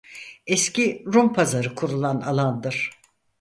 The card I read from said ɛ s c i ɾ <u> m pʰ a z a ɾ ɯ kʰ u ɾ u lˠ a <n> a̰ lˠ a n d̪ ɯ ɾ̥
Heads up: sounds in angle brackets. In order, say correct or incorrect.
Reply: correct, correct

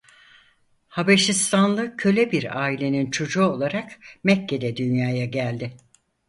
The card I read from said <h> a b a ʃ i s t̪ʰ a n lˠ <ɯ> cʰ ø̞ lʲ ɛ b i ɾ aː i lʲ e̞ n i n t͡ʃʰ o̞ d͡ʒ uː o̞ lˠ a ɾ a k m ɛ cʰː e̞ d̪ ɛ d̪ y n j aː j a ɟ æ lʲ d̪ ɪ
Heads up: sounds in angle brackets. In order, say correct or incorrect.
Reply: correct, correct

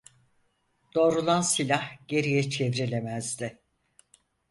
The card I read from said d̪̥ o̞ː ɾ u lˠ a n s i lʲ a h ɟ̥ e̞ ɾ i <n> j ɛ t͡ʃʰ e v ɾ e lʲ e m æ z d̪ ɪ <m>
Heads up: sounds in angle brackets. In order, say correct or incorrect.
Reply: incorrect, incorrect

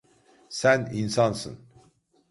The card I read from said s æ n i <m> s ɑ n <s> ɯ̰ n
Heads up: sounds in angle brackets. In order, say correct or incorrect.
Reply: incorrect, correct

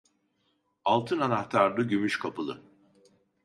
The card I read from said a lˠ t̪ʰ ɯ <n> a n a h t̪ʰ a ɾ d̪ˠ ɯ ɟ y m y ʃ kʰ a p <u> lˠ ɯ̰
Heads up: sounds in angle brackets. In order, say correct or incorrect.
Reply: correct, incorrect

